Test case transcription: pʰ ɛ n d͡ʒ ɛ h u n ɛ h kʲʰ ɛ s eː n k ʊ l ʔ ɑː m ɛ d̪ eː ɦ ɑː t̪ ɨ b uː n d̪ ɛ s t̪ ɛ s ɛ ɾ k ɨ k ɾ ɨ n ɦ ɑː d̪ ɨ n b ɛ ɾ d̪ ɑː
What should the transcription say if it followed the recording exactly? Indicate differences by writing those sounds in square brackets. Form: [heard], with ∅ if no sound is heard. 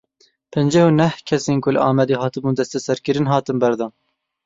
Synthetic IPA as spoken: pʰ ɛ n d͡ʒ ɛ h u n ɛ h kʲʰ ɛ s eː n k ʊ l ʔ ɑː m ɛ d̪ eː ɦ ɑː t̪ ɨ b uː n d̪ ɛ s t̪ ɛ s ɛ ɾ k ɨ [∅] ɾ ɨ n ɦ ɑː [t̪] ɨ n b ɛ ɾ d̪ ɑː

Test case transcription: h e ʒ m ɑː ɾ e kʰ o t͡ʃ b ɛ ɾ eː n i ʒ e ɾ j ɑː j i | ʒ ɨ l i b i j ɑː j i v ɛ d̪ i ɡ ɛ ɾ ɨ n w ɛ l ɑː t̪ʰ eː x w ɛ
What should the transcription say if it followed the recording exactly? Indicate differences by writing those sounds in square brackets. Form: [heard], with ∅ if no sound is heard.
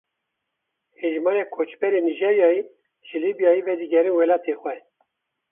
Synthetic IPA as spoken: h e ʒ m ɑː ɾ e kʰ o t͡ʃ b ɛ ɾ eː n i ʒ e ɾ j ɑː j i | ʒ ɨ l i b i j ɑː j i v ɛ d̪ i ɡ ɛ ɾ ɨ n w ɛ l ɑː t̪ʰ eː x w ɛ

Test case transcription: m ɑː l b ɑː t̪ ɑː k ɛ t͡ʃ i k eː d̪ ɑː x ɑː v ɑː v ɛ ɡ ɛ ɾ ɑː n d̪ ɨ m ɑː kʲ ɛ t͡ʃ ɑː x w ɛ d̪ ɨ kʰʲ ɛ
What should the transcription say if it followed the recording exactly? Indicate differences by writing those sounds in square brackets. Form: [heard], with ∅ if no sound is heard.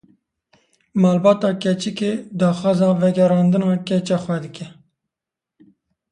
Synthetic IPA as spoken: m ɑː l b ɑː t̪ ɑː k ɛ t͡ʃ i k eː d̪ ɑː x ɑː [z] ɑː v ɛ ɡ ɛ ɾ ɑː n d̪ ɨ [n] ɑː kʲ ɛ t͡ʃ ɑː x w ɛ d̪ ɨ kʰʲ ɛ

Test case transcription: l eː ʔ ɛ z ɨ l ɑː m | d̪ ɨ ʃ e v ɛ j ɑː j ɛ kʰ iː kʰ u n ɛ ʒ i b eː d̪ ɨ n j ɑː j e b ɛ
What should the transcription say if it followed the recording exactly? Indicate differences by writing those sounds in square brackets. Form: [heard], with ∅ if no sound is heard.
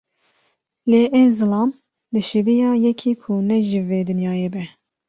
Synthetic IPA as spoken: l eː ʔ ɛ z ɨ l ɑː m | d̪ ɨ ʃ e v [i] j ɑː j ɛ kʰ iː kʰ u n ɛ ʒ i [v] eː d̪ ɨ n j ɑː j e b ɛ

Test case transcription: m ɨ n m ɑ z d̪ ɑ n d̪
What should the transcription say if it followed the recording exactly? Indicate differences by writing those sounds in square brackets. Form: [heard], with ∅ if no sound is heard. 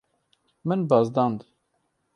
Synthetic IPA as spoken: m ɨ n [b] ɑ z d̪ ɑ n d̪

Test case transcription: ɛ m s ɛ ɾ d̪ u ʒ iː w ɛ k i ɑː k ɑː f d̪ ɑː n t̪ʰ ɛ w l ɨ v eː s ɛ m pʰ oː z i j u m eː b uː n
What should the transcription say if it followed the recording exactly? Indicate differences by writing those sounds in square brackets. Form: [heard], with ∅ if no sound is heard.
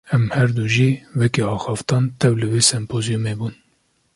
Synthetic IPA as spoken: ɛ m [h] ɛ ɾ d̪ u ʒ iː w ɛ k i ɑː [x] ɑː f [t̪] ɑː n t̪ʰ ɛ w l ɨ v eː s ɛ m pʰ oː z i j u m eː b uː n

